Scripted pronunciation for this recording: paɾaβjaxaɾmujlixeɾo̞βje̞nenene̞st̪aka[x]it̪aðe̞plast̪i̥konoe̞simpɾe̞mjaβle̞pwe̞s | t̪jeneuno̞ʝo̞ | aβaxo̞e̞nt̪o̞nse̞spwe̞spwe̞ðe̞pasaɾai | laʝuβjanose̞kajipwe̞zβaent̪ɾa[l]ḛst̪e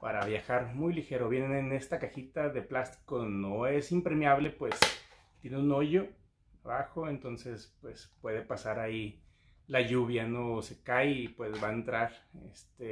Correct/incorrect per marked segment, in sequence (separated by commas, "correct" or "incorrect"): correct, incorrect